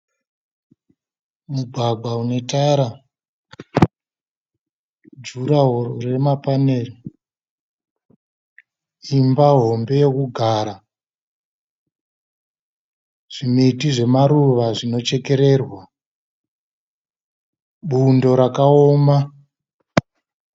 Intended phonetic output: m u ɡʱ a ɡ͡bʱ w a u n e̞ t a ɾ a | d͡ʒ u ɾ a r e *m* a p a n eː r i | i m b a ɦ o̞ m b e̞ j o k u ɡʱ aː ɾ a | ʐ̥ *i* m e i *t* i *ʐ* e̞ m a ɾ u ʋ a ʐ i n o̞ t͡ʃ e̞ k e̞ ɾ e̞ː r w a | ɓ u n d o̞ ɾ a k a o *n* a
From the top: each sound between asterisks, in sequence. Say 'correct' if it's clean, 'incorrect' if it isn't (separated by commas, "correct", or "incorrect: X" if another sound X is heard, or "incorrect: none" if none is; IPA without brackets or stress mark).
correct, correct, correct, correct, incorrect: m